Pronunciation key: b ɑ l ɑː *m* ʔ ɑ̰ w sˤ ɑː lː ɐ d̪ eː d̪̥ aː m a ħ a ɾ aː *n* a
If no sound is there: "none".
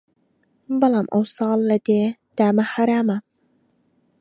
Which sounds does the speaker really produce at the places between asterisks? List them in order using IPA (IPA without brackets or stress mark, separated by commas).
m, m